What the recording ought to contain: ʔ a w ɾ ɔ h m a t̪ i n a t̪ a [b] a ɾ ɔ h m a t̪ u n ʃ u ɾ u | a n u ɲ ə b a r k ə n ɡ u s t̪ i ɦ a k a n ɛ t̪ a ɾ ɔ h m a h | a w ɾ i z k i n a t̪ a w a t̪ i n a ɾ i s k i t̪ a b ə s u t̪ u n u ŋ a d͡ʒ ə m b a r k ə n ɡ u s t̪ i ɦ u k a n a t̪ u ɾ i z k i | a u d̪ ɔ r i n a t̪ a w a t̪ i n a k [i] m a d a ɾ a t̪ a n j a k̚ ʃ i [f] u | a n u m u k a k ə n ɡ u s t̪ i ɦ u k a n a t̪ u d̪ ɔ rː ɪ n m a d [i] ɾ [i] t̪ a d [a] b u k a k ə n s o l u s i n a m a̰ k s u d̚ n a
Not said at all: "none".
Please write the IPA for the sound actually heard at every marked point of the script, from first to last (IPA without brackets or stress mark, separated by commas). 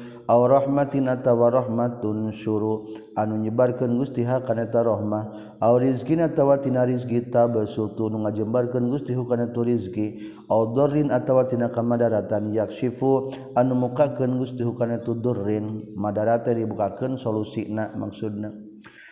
w, a, f, a, a, i